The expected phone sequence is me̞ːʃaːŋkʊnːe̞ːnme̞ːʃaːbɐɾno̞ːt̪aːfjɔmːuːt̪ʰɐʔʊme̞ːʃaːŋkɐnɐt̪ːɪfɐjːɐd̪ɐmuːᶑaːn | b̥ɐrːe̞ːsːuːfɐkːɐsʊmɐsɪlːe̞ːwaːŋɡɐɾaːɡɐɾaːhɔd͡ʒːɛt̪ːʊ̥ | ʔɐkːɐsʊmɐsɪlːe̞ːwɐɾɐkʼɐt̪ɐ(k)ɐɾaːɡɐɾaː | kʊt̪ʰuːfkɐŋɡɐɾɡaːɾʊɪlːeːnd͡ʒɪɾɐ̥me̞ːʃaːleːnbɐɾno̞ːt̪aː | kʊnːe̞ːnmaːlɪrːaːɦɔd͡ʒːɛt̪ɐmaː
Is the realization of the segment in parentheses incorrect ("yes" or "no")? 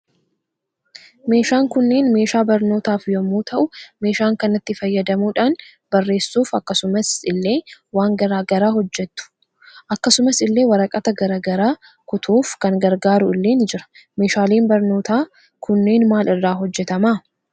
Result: yes